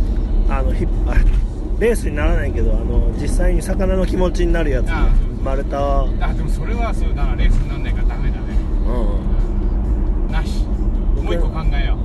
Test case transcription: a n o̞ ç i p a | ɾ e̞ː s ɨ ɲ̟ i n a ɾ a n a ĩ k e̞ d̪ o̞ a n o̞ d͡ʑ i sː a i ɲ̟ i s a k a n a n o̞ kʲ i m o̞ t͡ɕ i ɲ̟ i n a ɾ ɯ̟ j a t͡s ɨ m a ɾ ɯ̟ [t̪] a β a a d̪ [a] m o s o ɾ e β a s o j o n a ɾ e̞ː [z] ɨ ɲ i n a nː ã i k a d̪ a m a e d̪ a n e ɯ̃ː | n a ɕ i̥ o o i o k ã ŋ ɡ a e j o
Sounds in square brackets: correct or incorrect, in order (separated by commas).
correct, incorrect, incorrect